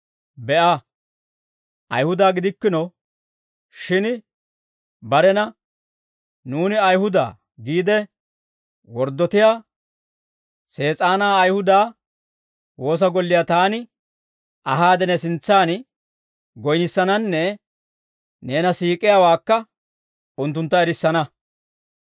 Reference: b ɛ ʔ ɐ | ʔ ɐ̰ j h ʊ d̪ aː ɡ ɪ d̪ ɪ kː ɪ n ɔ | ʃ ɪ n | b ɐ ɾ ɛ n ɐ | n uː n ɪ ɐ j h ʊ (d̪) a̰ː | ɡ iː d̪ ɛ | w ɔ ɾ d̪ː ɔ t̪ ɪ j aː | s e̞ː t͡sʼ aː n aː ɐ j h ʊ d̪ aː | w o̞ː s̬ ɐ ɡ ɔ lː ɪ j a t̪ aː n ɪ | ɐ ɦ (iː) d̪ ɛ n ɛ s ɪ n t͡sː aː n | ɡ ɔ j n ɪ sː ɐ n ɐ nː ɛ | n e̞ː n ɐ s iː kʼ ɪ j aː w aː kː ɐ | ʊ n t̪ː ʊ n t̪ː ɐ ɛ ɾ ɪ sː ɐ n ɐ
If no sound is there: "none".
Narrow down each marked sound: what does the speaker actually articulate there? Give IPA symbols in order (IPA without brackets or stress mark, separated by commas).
d̪, aː